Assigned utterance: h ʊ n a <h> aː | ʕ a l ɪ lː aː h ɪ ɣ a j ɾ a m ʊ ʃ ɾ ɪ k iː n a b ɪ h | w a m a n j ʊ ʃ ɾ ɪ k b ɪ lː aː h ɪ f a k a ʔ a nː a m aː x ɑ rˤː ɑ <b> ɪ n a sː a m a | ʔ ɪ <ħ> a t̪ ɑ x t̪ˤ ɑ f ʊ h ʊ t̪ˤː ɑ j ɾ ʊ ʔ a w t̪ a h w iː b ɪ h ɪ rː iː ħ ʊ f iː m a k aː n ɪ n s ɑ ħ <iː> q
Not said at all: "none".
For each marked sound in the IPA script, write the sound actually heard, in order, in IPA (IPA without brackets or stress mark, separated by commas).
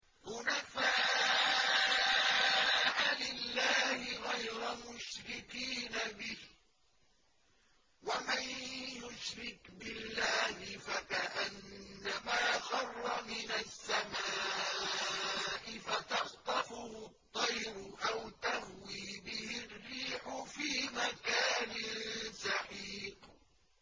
f, m, f, iː